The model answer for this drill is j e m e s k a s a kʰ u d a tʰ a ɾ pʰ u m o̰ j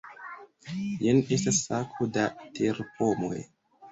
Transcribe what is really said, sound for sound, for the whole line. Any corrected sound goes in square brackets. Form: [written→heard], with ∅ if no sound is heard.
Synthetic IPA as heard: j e [m→n] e s [k→t] a s a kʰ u d a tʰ [a→e] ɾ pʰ [u→o] m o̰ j